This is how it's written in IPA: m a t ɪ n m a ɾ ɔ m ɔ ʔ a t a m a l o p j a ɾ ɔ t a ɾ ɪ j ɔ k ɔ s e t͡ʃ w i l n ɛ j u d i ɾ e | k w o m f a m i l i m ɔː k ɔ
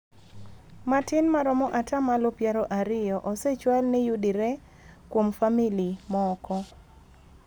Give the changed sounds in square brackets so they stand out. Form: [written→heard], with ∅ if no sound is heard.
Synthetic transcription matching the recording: m a t ɪ n m a ɾ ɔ m ɔ ʔ a t a m a l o p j a ɾ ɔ [t→ʔ] a ɾ ɪ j ɔ [k→ʔ] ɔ s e t͡ʃ w [i→a] l n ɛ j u d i ɾ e | k w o m f a m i l i m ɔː k ɔ